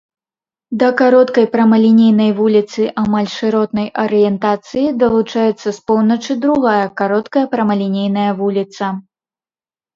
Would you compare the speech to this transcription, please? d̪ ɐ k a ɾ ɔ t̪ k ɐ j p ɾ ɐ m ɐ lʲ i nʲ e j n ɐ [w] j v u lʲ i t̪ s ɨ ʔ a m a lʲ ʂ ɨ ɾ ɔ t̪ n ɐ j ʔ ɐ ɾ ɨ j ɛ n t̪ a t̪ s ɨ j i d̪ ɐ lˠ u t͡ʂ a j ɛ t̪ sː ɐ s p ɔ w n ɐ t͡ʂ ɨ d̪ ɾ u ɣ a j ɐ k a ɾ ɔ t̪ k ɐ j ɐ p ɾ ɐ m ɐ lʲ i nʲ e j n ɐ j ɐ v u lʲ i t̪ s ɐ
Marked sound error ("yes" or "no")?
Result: yes